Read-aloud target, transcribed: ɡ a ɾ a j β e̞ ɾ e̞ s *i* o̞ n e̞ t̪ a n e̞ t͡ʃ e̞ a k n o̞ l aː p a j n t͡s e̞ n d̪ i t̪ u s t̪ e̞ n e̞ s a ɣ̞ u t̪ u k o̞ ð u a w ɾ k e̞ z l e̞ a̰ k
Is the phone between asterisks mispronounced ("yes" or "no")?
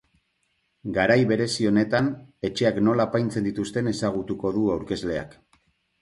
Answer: no